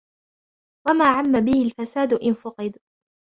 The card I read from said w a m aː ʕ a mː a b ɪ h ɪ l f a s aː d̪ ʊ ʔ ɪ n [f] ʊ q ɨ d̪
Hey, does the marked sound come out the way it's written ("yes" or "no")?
yes